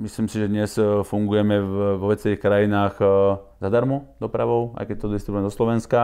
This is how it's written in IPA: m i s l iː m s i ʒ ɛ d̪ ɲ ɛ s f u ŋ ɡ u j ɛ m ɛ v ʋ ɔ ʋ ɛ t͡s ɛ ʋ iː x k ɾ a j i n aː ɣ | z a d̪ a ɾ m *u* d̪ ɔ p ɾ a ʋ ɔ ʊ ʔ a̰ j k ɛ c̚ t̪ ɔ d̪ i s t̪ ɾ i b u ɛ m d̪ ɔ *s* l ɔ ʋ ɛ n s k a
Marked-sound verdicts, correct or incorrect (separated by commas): correct, correct